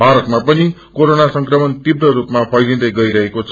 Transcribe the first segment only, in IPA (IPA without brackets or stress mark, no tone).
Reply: bʱ